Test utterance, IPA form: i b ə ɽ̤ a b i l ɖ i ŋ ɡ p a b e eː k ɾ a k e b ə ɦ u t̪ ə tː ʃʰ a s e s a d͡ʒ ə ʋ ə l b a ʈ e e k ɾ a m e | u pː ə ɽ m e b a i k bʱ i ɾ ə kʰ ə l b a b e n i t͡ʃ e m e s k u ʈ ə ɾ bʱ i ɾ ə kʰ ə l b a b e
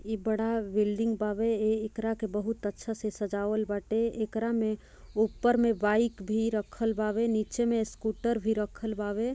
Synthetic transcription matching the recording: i b ə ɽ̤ a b i l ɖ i ŋ ɡ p a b e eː k ɾ a k e b ə ɦ u t̪ ə tː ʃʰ a s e s ə d͡ʒ a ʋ ə l b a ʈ e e k ɾ a m e | u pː ə ɾ m e b a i k bʱ i ɾ ə kʰ ə l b a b e n i t͡ʃ e m e s k u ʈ ə ɾ bʱ i ɾ ə kʰ ə l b a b e